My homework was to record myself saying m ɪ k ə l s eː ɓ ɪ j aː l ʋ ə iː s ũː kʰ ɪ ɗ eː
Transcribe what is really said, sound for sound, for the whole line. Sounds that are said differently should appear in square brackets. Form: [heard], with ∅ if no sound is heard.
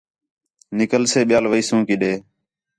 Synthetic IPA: [n] ɪ k ə l s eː ɓ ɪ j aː l ʋ ə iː s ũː [k] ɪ ɗ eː

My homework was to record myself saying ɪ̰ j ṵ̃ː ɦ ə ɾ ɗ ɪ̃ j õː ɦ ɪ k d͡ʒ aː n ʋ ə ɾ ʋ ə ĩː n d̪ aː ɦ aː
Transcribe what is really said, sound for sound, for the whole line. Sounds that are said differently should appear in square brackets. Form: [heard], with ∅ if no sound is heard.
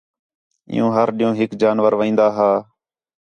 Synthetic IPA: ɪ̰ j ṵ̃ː ɦ ə ɾ ɗ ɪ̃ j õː ɦ ɪ k d͡ʒ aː n ʋ ə ɾ ʋ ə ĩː n d̪ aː ɦ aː

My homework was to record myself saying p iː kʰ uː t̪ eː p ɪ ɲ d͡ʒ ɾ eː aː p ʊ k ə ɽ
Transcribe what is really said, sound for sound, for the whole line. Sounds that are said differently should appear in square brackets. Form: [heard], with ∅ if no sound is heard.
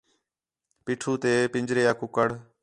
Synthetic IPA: p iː [ʈʰ] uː t̪ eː p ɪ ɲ d͡ʒ ɾ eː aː [k] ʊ k ə ɽ

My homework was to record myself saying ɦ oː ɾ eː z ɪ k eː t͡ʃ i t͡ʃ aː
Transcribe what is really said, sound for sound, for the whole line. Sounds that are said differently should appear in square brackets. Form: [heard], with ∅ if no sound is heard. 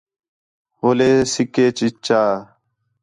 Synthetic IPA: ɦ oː [l] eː [s] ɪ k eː t͡ʃ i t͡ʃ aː

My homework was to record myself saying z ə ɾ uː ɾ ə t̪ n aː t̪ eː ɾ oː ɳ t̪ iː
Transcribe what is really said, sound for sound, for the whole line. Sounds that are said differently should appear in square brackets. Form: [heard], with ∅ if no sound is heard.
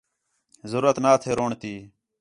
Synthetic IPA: z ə ɾ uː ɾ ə t̪ n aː [t̪ʰ] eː ɾ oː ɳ t̪ iː

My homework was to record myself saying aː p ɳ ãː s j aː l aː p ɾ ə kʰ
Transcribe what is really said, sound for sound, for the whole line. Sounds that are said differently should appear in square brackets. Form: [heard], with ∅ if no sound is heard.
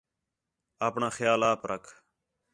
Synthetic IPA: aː p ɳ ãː [x] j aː l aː p ɾ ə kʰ

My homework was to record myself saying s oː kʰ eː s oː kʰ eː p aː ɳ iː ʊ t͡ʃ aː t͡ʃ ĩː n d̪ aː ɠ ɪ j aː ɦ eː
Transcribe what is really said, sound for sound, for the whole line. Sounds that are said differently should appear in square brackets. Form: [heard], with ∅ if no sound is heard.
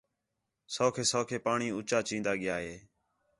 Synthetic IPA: s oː kʰ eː s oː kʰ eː p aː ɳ iː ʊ t͡ʃ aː t͡ʃ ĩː n d̪ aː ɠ ɪ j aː ɦ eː

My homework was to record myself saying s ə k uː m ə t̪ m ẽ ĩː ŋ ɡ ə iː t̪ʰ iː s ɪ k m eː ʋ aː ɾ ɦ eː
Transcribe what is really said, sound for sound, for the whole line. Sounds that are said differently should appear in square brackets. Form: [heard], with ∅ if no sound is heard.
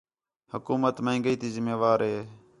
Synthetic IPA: [h] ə k uː m ə t̪ m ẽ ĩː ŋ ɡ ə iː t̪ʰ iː [z] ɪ [∅] m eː ʋ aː ɾ ɦ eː

